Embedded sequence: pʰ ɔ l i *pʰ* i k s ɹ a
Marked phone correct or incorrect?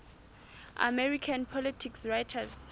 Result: incorrect: tʰ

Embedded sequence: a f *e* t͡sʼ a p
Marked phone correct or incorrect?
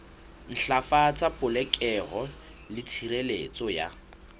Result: incorrect: a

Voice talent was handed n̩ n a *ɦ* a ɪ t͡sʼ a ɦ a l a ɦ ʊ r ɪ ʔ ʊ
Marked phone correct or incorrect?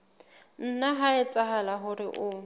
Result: correct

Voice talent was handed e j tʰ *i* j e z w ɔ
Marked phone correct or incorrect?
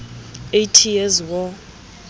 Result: correct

